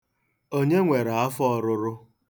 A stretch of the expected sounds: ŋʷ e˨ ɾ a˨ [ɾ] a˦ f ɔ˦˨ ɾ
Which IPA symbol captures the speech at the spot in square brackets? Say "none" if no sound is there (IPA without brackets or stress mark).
none